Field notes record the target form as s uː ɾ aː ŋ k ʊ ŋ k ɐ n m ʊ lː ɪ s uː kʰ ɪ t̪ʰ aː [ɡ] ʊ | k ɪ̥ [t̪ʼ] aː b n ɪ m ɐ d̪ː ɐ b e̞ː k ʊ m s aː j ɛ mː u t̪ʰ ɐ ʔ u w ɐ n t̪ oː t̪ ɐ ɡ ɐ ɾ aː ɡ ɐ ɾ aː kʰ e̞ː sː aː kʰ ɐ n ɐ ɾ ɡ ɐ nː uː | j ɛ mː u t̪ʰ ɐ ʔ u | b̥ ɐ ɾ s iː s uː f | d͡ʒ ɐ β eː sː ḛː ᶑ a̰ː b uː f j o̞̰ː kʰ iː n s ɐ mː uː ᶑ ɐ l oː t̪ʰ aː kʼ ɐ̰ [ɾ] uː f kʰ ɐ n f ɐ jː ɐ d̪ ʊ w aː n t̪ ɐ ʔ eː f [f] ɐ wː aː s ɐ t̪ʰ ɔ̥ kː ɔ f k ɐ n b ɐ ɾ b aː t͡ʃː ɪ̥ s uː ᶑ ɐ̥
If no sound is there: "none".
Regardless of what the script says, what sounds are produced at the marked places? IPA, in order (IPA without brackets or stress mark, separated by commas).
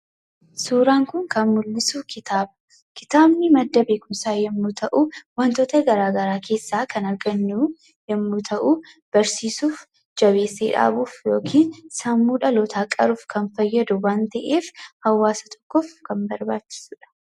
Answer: b, t̪, ɾ, h